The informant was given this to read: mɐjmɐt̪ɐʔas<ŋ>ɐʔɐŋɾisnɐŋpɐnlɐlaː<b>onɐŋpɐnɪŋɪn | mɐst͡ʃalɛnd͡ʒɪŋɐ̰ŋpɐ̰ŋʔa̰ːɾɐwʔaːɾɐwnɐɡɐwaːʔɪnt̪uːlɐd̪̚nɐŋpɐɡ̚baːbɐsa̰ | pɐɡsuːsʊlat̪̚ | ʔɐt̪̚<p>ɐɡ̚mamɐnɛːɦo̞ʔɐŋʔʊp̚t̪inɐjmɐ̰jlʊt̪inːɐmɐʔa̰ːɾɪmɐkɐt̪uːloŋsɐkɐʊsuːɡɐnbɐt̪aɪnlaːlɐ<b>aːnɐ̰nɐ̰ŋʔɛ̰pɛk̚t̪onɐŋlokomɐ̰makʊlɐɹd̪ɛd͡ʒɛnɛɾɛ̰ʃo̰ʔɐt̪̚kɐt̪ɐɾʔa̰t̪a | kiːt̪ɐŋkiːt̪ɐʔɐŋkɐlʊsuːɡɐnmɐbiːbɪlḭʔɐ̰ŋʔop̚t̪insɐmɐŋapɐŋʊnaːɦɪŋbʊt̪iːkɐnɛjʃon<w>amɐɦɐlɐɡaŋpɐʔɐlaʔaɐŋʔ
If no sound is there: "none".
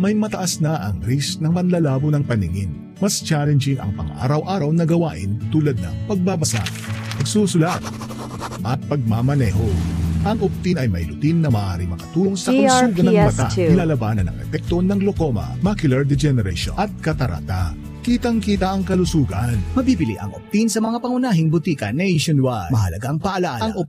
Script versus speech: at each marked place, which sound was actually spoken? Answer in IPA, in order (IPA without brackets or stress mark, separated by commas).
n, b, p, b, w